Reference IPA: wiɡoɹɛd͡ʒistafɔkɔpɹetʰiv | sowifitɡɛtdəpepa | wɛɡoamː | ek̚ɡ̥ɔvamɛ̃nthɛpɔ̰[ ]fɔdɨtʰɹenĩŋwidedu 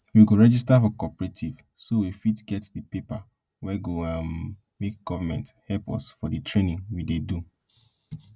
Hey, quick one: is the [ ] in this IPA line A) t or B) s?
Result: B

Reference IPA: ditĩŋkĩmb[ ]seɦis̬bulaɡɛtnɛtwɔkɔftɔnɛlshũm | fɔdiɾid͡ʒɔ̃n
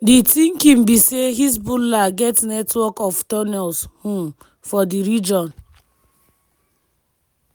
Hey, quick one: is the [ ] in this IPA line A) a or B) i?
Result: B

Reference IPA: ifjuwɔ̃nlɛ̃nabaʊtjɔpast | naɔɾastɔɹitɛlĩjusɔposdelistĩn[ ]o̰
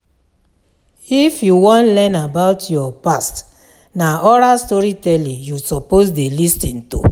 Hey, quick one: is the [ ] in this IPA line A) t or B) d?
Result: A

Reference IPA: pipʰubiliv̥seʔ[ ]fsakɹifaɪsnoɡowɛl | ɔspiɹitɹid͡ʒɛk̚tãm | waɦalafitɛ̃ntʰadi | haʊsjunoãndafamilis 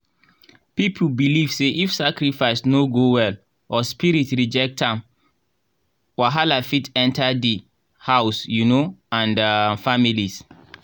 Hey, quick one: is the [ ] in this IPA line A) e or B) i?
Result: B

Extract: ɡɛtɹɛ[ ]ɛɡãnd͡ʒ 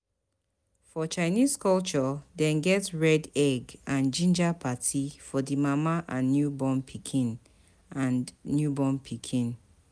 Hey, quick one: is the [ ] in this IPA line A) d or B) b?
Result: A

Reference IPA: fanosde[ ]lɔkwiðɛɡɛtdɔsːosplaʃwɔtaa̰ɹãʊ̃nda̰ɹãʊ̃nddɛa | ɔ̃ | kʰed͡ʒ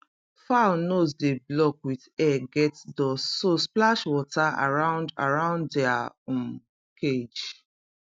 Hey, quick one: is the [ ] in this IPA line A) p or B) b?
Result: B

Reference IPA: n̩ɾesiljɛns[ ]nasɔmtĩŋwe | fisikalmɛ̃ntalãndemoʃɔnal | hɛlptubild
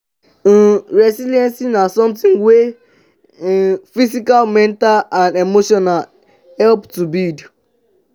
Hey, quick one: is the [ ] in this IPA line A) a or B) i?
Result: B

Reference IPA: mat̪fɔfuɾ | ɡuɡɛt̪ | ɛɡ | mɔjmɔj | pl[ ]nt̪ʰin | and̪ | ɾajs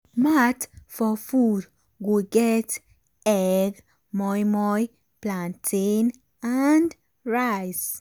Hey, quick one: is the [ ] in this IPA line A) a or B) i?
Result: A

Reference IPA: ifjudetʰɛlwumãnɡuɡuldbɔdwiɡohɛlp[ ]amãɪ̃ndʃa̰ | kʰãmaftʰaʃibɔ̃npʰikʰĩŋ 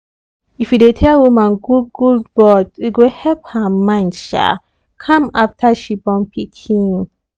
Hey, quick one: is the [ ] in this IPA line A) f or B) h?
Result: B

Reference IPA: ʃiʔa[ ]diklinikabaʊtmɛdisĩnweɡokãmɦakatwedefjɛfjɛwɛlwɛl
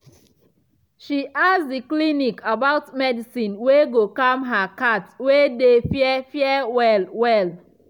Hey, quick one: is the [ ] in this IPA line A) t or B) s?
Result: B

